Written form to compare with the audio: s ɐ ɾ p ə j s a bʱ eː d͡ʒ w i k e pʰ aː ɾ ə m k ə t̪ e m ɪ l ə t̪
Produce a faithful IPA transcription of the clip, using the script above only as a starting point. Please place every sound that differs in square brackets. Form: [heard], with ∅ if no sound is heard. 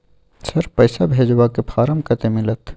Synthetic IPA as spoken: s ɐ ɾ p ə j s a bʱ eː d͡ʒ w [a] k e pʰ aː ɾ ə m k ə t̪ e m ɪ l ə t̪